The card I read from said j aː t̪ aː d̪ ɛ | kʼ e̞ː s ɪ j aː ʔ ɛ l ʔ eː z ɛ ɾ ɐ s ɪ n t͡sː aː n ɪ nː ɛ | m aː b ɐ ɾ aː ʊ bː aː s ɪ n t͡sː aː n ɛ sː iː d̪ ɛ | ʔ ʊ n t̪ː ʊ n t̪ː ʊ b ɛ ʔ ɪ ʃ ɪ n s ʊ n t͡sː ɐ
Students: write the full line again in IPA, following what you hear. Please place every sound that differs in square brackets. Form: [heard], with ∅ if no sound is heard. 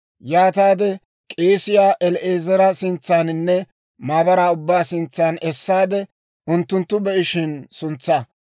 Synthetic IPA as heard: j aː t̪ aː d̪ ɛ | kʼ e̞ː s ɪ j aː ʔ ɛ l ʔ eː z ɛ ɾ ɐ s ɪ n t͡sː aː n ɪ nː ɛ | m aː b ɐ ɾ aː ʊ bː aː s ɪ n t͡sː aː n ɛ sː [aː] d̪ ɛ | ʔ ʊ n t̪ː ʊ n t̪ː ʊ b ɛ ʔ ɪ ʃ ɪ n s ʊ n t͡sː ɐ

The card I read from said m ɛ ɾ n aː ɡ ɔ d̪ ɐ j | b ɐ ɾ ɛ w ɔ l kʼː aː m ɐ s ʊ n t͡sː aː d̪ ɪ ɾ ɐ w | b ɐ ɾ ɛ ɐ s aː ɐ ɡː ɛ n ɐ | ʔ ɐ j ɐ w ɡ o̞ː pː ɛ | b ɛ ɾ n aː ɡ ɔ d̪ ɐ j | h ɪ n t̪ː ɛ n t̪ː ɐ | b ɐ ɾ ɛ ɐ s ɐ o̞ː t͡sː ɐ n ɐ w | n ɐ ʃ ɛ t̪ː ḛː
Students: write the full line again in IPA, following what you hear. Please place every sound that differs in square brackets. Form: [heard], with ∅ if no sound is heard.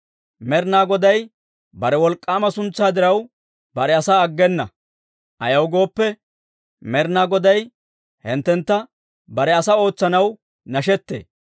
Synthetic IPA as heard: m ɛ ɾ n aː ɡ ɔ d̪ ɐ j | b ɐ ɾ ɛ w ɔ l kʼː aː m ɐ s ʊ n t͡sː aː d̪ ɪ ɾ ɐ w | b ɐ ɾ ɛ ɐ s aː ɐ ɡː ɛ [nː] ɐ | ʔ ɐ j ɐ w ɡ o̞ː pː ɛ | [m] ɛ ɾ n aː ɡ ɔ d̪ ɐ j | h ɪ n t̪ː ɛ n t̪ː ɐ | b ɐ ɾ ɛ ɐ s ɐ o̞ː t͡sː ɐ n ɐ w | n ɐ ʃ ɛ t̪ː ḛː

